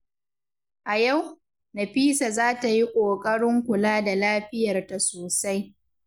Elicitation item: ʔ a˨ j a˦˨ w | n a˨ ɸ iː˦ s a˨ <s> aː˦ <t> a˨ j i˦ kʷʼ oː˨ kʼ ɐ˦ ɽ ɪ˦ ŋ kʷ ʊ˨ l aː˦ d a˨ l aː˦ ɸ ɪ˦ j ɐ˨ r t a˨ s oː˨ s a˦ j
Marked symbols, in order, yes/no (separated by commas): no, yes